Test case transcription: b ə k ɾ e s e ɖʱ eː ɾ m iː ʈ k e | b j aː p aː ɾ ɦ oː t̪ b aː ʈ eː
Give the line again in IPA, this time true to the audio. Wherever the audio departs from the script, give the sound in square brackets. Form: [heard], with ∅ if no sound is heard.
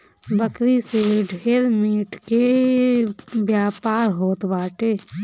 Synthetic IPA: b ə k ɾ [i] s e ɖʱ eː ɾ m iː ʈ k e | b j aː p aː ɾ ɦ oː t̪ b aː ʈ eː